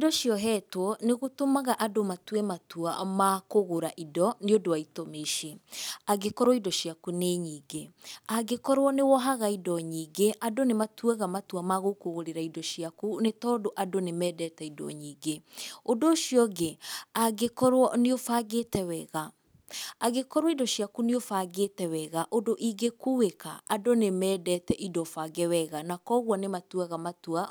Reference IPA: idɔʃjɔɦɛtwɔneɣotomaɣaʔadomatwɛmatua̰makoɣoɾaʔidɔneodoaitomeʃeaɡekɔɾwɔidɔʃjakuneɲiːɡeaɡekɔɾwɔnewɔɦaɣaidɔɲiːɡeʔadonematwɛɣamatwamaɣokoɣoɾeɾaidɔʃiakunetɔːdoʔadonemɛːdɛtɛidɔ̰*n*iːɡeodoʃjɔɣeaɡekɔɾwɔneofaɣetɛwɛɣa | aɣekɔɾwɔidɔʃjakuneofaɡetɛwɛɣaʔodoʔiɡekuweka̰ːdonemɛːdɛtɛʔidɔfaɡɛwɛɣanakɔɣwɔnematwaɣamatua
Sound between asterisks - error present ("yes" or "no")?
yes